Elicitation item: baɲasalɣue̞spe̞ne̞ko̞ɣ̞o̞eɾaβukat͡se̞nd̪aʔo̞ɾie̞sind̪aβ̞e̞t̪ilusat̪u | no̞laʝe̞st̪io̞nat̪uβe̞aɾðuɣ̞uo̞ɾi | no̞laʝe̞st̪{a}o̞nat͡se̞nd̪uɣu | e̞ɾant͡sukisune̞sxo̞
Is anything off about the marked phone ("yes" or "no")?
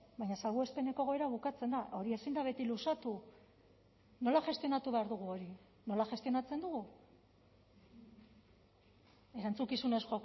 yes